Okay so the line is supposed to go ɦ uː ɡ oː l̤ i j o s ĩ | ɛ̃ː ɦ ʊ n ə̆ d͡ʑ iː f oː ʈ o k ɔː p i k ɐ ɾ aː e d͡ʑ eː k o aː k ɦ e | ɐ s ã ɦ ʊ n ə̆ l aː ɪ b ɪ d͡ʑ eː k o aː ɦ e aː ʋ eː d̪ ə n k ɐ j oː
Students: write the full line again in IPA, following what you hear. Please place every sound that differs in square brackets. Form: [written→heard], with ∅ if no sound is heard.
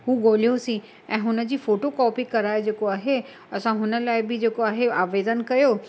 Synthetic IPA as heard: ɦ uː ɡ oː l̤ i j o s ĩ | ɛ̃ː ɦ ʊ n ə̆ d͡ʑ iː f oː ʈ o k ɔː p i k ɐ ɾ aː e d͡ʑ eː k o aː [k→∅] ɦ e | ɐ s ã ɦ ʊ n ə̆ l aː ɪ b ɪ d͡ʑ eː k o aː ɦ e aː ʋ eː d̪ ə n k ɐ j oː

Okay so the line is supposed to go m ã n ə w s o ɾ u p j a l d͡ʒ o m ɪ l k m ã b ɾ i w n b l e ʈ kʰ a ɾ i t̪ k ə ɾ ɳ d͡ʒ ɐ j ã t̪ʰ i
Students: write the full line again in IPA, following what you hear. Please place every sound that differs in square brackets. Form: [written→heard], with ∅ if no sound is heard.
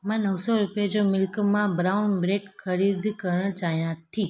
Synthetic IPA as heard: m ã n ə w s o ɾ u p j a [l→∅] d͡ʒ o m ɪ l k m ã b ɾ [i→a] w n b [l→ɾ] e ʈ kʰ [a→ə] ɾ i [t̪→d̪] k ə ɾ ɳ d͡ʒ [ɐ→a] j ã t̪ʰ i

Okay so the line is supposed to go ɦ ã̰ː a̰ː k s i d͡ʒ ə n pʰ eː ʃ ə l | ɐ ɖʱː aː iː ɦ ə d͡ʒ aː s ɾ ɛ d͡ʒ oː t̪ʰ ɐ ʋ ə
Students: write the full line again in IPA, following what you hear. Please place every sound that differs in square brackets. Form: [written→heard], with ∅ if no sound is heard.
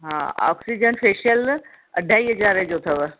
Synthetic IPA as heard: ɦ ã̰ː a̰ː k s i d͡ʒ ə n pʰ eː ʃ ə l | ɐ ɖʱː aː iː ɦ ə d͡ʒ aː [s→∅] ɾ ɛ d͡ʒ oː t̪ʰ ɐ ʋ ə

